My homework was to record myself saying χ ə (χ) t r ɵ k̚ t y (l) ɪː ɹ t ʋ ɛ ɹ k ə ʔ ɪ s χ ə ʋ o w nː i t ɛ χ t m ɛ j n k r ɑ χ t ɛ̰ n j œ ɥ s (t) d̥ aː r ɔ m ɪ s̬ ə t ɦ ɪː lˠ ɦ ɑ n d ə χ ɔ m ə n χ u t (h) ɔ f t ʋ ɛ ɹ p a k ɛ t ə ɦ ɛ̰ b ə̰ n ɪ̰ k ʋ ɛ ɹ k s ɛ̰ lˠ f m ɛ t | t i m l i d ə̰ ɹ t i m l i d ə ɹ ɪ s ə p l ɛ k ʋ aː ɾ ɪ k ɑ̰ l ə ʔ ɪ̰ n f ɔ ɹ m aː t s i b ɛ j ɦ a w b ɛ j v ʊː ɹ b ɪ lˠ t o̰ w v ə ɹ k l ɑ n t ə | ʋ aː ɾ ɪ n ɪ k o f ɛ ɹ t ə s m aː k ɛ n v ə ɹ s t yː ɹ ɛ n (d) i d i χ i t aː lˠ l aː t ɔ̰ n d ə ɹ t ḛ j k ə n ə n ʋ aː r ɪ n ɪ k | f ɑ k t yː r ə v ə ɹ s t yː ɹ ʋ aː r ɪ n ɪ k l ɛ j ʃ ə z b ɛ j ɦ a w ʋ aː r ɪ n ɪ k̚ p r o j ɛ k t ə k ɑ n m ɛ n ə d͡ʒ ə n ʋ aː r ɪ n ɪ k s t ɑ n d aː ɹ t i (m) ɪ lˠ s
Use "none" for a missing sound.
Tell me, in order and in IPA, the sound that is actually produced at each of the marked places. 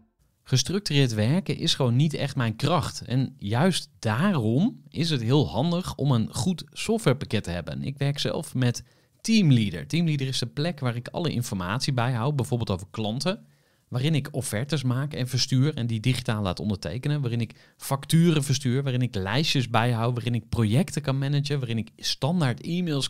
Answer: s, r, t, s, d, m

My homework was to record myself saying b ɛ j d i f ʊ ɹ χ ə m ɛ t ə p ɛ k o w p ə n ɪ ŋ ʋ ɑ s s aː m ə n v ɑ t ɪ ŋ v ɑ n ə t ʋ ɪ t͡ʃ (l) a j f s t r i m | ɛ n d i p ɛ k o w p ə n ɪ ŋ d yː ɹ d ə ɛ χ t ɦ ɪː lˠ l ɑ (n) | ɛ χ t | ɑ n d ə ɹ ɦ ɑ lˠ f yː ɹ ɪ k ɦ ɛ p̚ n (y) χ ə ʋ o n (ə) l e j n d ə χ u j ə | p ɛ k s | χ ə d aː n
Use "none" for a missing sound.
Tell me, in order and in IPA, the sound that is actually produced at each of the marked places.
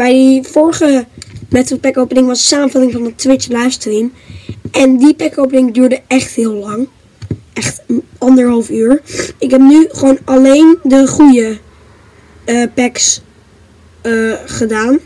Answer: l, ŋ, y, ɑ

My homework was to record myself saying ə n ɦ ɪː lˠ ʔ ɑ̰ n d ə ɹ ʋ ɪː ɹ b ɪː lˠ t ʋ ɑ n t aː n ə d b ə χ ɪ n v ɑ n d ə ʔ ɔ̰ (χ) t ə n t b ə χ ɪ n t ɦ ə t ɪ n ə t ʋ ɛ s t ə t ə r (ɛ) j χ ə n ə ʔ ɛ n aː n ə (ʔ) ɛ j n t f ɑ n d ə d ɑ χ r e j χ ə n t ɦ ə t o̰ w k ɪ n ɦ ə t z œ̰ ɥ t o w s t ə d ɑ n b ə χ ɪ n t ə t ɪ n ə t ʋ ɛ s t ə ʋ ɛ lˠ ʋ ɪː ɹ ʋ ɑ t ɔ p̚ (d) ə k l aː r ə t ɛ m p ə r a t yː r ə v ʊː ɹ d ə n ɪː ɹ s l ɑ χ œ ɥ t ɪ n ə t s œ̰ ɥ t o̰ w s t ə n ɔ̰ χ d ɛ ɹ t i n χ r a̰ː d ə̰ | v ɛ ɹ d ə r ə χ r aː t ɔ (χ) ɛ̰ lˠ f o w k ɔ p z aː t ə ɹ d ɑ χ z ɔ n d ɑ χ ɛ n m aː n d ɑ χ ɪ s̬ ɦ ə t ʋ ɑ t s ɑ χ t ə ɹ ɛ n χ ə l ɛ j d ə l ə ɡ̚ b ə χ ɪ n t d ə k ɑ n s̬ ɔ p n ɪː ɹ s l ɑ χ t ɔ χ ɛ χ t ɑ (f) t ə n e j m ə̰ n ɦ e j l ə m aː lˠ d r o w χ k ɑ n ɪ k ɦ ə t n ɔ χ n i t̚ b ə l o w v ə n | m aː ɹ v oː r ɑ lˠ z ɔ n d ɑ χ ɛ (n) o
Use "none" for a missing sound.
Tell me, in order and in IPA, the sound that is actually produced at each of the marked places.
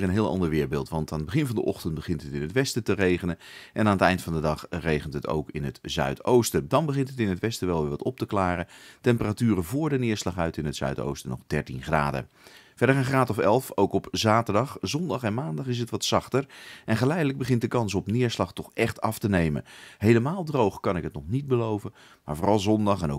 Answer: χ, e, t, t, f, f, n

